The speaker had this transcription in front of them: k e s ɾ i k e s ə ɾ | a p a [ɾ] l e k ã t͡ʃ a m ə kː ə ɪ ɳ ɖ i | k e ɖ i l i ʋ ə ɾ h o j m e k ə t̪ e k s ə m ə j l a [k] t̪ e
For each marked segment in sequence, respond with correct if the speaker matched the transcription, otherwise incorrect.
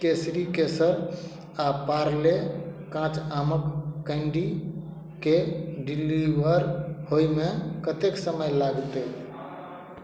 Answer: correct, incorrect: ɡ

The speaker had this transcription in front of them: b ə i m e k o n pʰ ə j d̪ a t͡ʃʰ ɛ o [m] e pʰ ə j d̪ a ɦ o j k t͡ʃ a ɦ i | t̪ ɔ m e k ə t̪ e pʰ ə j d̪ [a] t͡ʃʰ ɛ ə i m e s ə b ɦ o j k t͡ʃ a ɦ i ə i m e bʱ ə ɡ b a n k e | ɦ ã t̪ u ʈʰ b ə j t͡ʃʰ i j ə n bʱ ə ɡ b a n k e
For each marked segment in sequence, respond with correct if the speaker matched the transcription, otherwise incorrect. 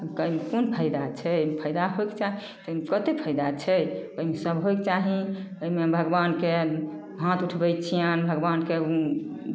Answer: correct, correct

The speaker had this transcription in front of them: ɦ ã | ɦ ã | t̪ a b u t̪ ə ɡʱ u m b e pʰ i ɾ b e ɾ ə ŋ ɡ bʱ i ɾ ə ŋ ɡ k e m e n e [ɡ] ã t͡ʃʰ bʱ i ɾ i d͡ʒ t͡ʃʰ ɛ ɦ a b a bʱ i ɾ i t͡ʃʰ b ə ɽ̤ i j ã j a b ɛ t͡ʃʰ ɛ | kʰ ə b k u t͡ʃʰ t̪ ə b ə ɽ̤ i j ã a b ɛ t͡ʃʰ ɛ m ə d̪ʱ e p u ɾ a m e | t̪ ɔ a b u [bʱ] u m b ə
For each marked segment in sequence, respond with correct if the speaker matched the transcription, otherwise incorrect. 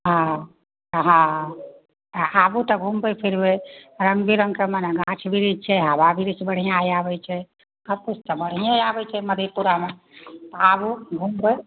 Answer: correct, incorrect: ɡʱ

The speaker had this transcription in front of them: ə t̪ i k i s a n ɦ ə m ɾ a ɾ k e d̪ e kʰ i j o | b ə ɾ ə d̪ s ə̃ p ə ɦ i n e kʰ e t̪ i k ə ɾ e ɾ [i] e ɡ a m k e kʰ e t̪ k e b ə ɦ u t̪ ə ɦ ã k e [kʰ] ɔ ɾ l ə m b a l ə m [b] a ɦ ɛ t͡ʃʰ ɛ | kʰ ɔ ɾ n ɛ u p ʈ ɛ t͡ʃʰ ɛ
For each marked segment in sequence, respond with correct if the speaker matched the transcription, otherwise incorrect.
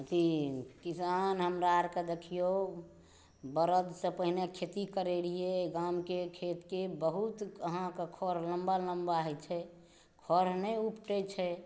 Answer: correct, correct, correct

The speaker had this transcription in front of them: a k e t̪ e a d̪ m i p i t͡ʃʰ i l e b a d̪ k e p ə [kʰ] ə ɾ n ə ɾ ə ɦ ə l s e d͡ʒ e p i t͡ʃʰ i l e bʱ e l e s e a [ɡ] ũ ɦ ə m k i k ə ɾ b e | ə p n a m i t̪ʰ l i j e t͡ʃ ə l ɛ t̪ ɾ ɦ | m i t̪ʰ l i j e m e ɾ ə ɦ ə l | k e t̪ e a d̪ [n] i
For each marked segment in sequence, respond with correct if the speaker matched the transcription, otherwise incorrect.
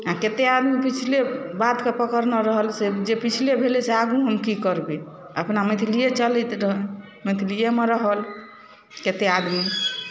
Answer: incorrect: k, correct, incorrect: m

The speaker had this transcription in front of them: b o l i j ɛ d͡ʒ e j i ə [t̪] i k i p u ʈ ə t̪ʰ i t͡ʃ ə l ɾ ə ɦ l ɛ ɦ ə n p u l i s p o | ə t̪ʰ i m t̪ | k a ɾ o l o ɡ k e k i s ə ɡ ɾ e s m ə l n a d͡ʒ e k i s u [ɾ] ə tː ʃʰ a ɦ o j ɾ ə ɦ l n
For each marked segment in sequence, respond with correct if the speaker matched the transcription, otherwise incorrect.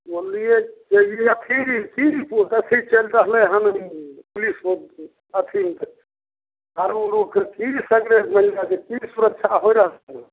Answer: incorrect: t̪ʰ, correct

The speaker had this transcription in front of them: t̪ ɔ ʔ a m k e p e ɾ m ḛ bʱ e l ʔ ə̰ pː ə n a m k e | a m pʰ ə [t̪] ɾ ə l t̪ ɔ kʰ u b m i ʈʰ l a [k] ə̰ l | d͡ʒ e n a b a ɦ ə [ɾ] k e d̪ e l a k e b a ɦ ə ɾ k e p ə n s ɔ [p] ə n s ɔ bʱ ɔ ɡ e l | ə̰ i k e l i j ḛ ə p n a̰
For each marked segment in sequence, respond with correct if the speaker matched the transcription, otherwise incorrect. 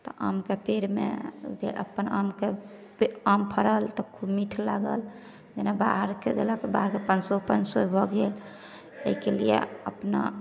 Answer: incorrect: none, incorrect: ɡ, correct, correct

